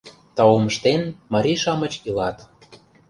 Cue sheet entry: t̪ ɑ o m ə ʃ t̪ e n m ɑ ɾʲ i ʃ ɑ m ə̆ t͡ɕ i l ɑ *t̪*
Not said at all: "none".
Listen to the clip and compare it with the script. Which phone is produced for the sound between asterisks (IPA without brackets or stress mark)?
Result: t̪